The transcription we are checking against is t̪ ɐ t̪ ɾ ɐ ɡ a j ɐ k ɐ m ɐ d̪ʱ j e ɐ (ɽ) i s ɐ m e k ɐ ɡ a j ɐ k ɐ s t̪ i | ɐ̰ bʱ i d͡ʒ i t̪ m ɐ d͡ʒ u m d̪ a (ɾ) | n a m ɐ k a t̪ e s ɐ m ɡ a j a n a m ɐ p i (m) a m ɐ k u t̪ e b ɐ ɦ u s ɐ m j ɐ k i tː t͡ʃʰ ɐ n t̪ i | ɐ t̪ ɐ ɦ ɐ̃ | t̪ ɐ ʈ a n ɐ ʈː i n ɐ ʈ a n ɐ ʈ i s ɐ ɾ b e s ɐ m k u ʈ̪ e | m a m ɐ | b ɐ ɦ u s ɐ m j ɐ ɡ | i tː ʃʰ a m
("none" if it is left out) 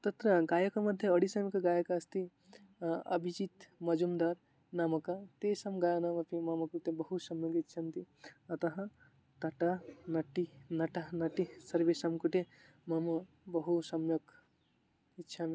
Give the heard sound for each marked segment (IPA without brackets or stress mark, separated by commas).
ɽ, ɾ, m